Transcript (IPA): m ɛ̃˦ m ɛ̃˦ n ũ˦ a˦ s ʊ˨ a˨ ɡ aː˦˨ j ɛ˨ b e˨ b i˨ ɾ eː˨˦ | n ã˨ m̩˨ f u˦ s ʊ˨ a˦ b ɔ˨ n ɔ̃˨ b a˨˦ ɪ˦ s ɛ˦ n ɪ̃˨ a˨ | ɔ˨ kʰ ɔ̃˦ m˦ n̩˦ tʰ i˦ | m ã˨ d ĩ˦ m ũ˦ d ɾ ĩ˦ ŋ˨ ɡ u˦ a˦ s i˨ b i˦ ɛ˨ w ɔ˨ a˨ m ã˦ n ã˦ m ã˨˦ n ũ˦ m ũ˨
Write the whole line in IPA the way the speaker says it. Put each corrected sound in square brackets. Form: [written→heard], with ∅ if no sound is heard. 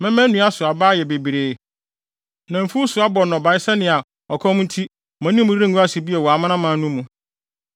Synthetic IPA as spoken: m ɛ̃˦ m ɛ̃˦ n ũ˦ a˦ s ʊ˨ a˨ [ɡ→b] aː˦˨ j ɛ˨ b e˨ b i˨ ɾ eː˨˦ | n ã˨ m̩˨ f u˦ s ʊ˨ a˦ b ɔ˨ n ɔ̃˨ b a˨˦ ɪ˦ s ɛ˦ n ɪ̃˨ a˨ | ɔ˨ kʰ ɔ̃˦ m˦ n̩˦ tʰ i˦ | m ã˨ [d→n] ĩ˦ m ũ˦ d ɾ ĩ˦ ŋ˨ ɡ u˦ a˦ s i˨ b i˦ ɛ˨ w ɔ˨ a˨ m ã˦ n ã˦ m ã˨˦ n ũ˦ m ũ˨

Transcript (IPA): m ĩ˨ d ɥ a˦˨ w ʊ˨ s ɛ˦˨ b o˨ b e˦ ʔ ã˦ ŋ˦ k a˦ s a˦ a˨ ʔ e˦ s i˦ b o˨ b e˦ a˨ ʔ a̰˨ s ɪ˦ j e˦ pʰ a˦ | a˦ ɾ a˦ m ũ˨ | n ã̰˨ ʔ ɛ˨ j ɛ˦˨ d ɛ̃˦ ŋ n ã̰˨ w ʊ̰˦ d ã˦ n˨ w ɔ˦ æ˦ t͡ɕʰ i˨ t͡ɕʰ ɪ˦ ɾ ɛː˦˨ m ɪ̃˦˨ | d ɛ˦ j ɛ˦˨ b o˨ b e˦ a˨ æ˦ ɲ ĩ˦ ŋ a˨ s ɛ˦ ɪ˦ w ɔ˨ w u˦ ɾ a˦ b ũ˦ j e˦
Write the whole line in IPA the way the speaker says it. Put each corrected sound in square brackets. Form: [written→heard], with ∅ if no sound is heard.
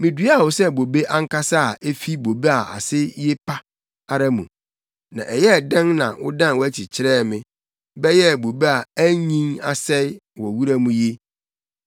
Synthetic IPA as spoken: m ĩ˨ d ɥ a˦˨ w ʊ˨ s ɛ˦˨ b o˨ b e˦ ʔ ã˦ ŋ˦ k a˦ s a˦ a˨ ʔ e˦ [s→f] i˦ b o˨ b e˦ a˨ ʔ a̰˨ s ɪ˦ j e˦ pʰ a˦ | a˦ ɾ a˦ m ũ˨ | n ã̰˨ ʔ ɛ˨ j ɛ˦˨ d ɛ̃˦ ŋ n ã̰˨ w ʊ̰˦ d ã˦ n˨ w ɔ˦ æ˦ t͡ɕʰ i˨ t͡ɕʰ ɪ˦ ɾ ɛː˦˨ m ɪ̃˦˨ | [d→b] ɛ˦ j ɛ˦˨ b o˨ b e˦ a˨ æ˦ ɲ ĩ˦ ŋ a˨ s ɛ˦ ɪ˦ w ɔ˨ w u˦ ɾ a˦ [b→m] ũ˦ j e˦

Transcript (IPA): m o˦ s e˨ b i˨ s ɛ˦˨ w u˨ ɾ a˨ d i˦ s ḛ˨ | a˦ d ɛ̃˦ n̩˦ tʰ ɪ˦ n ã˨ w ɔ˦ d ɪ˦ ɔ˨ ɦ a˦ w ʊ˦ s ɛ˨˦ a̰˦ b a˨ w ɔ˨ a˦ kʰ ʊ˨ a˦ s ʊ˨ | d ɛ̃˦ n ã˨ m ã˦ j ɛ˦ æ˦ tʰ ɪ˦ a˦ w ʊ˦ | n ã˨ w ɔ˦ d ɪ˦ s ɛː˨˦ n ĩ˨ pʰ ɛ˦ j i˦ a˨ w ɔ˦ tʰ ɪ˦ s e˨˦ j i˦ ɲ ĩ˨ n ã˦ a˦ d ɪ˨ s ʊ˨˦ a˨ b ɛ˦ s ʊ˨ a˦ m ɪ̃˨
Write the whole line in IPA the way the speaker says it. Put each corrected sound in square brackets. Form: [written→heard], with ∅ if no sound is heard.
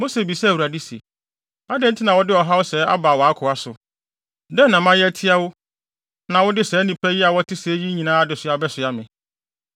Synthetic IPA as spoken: m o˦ s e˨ b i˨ s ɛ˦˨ w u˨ ɾ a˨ d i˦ s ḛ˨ | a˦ d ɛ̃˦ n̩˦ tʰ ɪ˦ n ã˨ w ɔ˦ d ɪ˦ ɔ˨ ɦ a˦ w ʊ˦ s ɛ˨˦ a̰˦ b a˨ w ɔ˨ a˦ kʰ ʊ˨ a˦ s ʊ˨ | d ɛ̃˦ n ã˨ m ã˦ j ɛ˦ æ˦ tʰ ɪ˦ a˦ w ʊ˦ | n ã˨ w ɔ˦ d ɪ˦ s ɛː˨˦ n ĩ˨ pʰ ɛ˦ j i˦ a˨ w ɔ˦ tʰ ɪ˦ s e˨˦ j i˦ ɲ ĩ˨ n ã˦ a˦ d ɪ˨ s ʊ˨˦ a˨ b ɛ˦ s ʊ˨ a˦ m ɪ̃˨

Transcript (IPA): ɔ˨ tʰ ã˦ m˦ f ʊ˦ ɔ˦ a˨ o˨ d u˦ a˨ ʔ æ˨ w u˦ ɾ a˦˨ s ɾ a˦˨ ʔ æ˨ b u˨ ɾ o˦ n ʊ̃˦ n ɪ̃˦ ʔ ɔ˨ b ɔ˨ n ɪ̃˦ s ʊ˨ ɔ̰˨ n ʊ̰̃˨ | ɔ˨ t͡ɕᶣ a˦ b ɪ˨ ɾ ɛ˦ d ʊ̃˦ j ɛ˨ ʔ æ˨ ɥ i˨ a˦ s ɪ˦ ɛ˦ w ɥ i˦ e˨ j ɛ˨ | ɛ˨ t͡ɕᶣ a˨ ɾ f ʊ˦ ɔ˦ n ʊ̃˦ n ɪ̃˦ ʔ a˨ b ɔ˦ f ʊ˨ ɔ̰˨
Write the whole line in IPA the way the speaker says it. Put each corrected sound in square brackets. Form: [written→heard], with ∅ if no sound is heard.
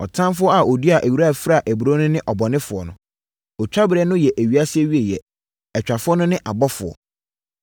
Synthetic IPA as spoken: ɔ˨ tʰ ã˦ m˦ f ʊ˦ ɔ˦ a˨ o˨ d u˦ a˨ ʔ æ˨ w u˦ ɾ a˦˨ [s→f] ɾ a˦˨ ʔ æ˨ b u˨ ɾ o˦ n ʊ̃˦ n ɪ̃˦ ʔ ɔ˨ b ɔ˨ n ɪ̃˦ [s→f] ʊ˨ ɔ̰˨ n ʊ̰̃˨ | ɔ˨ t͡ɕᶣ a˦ b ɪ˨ ɾ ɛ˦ [d→n] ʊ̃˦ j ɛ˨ ʔ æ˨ ɥ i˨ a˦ s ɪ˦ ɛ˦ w ɥ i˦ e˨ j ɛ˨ | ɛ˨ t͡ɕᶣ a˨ [ɾ→∅] f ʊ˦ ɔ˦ n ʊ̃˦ n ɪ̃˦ ʔ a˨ b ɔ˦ f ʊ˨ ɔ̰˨

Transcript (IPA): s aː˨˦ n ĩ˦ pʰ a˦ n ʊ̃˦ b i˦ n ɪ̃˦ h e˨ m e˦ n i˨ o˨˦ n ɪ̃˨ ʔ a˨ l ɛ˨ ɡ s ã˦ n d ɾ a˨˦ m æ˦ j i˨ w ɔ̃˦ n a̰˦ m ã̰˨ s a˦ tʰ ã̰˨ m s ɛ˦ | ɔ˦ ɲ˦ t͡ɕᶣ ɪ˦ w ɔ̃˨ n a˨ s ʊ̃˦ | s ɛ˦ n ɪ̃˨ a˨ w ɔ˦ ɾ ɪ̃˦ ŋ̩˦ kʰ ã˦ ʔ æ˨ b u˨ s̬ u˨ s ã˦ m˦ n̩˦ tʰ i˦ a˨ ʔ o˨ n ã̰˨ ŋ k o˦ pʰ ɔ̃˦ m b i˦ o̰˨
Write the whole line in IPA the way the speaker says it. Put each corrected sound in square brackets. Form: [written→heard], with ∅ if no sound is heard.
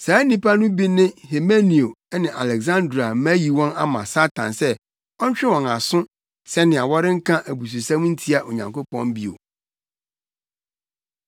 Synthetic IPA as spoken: s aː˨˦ n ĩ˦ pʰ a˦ n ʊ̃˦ b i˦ n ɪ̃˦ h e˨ m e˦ n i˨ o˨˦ n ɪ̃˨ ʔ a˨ l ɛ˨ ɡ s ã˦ n d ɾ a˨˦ m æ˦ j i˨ w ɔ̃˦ n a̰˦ m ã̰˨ s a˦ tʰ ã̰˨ [m→n] s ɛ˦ | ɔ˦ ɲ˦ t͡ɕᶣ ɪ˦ w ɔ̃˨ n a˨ s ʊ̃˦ | s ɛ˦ n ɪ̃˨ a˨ w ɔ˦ ɾ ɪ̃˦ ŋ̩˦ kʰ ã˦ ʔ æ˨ b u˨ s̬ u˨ s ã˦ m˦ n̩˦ tʰ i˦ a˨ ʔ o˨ [n→ɲ] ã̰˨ ŋ k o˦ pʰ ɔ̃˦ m b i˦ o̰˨

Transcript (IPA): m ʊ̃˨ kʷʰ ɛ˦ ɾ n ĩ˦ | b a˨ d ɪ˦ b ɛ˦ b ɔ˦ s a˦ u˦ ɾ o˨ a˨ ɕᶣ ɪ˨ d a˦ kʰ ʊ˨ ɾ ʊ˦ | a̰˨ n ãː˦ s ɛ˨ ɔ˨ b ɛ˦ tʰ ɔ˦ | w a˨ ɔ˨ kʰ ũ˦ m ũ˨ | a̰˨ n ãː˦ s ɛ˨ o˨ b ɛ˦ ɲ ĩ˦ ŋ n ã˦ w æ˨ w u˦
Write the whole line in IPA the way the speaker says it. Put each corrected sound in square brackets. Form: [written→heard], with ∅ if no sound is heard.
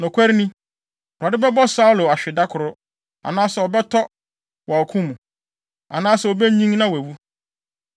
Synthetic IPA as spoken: [m→n] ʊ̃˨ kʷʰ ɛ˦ ɾ n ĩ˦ | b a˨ d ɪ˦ b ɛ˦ b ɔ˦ s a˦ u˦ [ɾ→l] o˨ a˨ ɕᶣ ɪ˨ d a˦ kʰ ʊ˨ ɾ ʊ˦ | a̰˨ n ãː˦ s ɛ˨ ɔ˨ b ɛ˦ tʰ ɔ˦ | w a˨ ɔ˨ kʰ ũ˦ m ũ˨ | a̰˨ n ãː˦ s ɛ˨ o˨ b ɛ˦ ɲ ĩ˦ ŋ n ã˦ w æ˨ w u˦

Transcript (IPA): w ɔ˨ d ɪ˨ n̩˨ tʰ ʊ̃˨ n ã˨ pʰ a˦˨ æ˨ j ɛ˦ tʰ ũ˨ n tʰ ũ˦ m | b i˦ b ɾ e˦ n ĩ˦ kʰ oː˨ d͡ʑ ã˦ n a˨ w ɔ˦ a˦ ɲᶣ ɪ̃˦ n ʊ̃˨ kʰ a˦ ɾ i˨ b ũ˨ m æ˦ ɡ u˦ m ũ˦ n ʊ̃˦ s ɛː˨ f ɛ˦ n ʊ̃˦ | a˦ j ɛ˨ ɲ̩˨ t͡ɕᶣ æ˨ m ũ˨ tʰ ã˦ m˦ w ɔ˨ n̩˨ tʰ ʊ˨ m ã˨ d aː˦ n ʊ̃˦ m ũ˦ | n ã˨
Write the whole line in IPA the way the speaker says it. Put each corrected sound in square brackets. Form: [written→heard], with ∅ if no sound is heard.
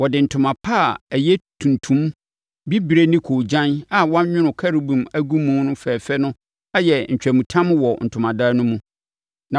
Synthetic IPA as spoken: w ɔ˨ d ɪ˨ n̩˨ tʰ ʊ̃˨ [n→m] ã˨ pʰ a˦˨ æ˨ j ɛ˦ tʰ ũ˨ n tʰ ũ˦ m | b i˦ b ɾ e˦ n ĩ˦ kʰ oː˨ d͡ʑ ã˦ n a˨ w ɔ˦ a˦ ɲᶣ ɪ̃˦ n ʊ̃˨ kʰ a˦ ɾ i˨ b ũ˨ m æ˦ ɡ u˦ m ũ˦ n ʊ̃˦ [s→f] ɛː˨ f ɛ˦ n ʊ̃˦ | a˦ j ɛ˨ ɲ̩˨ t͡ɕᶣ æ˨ m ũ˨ tʰ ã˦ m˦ w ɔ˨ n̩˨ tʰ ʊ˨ m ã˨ d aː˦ n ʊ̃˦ m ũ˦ | n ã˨

